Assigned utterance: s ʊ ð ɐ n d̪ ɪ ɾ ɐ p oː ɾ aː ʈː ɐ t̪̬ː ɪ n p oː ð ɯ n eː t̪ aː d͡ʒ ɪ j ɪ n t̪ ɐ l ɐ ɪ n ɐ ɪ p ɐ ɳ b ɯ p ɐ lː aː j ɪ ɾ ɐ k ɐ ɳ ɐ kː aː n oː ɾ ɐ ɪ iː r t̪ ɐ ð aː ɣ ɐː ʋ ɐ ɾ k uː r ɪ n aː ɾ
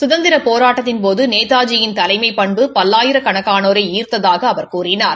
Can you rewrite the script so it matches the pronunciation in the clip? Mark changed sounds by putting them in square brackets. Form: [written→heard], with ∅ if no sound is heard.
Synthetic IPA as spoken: s ʊ ð ɐ n d̪ ɪ ɾ ɐ p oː ɾ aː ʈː ɐ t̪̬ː ɪ n p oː ð ɯ n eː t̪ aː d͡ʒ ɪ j ɪ n t̪ ɐ l ɐ ɪ [n→m] ɐ ɪ p ɐ ɳ b ɯ p ɐ lː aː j ɪ ɾ ɐ k ɐ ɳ ɐ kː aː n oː ɾ ɐ ɪ iː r t̪ ɐ ð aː ɣ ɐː ʋ ɐ ɾ k uː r ɪ n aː ɾ

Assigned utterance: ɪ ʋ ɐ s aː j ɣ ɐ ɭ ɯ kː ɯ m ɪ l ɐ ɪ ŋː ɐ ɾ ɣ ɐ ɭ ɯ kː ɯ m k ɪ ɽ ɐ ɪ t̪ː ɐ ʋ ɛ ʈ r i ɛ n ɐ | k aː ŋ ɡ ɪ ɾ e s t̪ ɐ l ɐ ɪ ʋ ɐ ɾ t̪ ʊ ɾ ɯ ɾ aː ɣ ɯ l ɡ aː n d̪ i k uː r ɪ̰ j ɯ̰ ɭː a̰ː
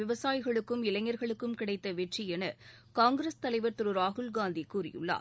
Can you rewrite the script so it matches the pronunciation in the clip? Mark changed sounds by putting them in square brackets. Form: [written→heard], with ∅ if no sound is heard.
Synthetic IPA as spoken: ɪ ʋ ɐ s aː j ɣ ɐ ɭ ɯ kː ɯ m ɪ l ɐ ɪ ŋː ɐ ɾ ɣ ɐ ɭ ɯ kː ɯ m k ɪ ɽ ɐ ɪ t̪ː ɐ ʋ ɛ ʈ r i ɛ n ɐ | k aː ŋ ɡ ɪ ɾ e s t̪ ɐ l ɐ ɪ ʋ ɐ ɾ t̪ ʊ ɾ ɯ ɾ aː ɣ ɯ l ɡ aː n d̪ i k uː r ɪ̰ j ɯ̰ ɭː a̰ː

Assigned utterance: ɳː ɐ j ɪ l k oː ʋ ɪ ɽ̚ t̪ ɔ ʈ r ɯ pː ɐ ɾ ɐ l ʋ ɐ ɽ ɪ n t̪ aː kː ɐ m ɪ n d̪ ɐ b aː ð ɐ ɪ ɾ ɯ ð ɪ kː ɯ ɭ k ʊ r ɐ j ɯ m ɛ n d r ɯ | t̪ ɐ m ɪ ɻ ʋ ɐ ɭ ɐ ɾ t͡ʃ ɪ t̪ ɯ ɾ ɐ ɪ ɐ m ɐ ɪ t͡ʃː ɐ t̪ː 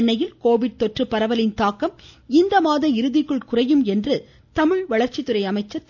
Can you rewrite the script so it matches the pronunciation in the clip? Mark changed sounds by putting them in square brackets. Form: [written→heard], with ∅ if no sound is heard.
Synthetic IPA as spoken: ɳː ɐ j ɪ l k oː ʋ ɪ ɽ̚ t̪ ɔ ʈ r ɯ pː ɐ ɾ ɐ [l→∅] ʋ ɐ [ɽ→l] ɪ n t̪ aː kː ɐ m ɪ n d̪ ɐ [b→m] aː ð ɐ ɪ ɾ ɯ ð ɪ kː ɯ ɭ k ʊ r ɐ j ɯ m ɛ n d r ɯ | t̪ ɐ m ɪ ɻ ʋ ɐ ɭ ɐ ɾ t͡ʃ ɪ t̪ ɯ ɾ ɐ ɪ ɐ m ɐ ɪ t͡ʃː ɐ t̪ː

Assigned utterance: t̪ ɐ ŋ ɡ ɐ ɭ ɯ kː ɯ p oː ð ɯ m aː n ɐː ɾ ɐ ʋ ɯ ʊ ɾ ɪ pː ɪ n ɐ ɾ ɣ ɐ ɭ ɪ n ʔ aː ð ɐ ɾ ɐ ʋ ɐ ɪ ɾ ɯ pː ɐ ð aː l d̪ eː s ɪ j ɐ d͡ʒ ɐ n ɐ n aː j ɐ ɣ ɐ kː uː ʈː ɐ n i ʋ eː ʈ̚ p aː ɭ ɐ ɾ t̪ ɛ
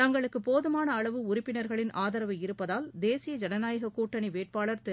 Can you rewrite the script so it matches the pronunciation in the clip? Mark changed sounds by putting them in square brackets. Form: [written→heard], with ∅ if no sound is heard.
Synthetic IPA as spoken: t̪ ɐ ŋ ɡ ɐ ɭ ɯ kː ɯ p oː ð ɯ m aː n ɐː [ɾ→ɭ] ɐ ʋ ɯ ʊ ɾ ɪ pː ɪ n ɐ ɾ ɣ ɐ ɭ ɪ n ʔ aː ð ɐ ɾ ɐ ʋ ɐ ɪ ɾ ɯ pː ɐ ð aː l d̪ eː s ɪ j ɐ d͡ʒ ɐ n ɐ n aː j ɐ ɣ ɐ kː uː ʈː ɐ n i ʋ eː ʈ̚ p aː ɭ ɐ ɾ t̪ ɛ

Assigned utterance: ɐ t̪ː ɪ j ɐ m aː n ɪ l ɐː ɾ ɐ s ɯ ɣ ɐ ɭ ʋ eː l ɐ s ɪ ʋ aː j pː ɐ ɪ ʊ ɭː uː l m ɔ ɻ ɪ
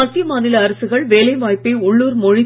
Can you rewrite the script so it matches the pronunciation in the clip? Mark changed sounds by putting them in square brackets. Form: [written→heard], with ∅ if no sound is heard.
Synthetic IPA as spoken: ɐ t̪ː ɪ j ɐ m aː n ɪ l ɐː ɾ ɐ s ɯ ɣ ɐ ɭ ʋ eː l ɐ [s→∅] ɪ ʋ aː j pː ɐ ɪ ʊ ɭː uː [l→ɾ] m ɔ ɻ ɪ

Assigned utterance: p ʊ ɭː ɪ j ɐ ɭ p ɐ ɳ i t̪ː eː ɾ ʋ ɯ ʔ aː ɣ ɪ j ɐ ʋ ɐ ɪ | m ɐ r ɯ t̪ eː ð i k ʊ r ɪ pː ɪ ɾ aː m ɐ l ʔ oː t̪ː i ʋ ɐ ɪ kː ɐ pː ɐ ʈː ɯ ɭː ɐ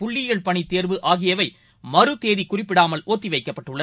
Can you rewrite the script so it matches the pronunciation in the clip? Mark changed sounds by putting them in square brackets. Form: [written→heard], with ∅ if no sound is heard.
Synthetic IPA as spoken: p ʊ ɭː ɪ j ɐ ɭ p ɐ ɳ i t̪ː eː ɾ ʋ ɯ ʔ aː ɣ ɪ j ɐ ʋ ɐ ɪ | m ɐ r ɯ t̪ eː ð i k ʊ r ɪ pː ɪ [ɾ→ɽ] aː m ɐ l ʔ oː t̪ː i ʋ ɐ ɪ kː ɐ pː ɐ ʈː ɯ ɭː ɐ

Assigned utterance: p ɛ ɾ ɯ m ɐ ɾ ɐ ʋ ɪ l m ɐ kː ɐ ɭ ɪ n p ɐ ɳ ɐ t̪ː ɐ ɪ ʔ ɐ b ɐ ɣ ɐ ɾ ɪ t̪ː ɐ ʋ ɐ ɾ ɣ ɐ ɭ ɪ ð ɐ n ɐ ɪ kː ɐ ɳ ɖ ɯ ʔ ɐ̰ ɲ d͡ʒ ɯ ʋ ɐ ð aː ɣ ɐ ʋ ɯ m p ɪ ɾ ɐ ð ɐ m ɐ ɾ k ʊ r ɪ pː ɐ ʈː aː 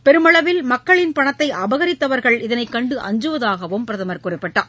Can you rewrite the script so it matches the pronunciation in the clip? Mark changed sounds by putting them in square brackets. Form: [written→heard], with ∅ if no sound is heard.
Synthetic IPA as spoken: p ɛ ɾ ɯ m ɐ [ɾ→ɭ] ɐ ʋ ɪ l m ɐ kː ɐ ɭ ɪ n p ɐ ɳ ɐ t̪ː ɐ ɪ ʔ ɐ b ɐ ɣ ɐ ɾ ɪ t̪ː ɐ ʋ ɐ ɾ ɣ ɐ ɭ ɪ ð ɐ n ɐ ɪ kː ɐ ɳ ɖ ɯ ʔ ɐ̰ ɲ d͡ʒ ɯ ʋ ɐ ð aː ɣ ɐ ʋ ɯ m p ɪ ɾ ɐ ð ɐ m ɐ ɾ k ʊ r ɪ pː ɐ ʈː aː

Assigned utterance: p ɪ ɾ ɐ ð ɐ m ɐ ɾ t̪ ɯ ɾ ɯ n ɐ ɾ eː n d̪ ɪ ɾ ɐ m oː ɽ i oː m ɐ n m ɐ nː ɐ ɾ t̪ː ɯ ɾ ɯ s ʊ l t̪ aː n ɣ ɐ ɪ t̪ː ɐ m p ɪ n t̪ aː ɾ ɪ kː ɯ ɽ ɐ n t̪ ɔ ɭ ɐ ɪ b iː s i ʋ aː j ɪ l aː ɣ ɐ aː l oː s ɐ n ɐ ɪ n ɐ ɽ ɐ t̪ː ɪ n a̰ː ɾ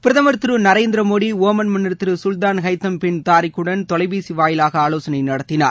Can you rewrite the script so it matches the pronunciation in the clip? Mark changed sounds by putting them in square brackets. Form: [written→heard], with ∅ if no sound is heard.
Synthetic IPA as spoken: p ɪ ɾ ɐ ð ɐ m ɐ ɾ t̪ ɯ ɾ ɯ n ɐ ɾ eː n d̪ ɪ ɾ ɐ m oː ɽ i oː m ɐ n m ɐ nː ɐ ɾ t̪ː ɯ ɾ ɯ s ʊ l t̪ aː n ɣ ɐ ɪ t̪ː ɐ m p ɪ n t̪ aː ɾ ɪ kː ɯ ɽ ɐ n t̪ ɔ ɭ ɐ ɪ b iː s i ʋ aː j ɪ l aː ɣ ɐ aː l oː s ɐ n ɐ ɪ n ɐ ɽ ɐ t̪ː ɪ n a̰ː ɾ

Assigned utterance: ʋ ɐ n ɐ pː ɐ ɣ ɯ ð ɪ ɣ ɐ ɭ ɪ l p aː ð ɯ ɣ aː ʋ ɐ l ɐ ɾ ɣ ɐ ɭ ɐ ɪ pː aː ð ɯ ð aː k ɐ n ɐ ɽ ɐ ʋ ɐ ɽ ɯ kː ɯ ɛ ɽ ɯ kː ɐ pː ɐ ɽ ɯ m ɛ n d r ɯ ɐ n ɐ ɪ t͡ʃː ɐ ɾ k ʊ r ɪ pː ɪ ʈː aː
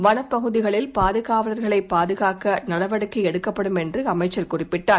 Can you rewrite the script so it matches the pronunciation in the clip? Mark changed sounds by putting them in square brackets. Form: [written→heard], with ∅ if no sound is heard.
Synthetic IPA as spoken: ʋ ɐ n ɐ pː ɐ ɣ ɯ ð ɪ ɣ ɐ ɭ ɪ l p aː ð ɯ ɣ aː ʋ ɐ l ɐ ɾ ɣ ɐ ɭ ɐ ɪ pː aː ð ɯ [ð→ɣ] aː k ɐ n ɐ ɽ ɐ ʋ ɐ ɽ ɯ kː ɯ ɛ ɽ ɯ kː ɐ pː ɐ ɽ ɯ m ɛ n d r ɯ ɐ [n→m] ɐ ɪ t͡ʃː ɐ ɾ k ʊ r ɪ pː ɪ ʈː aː

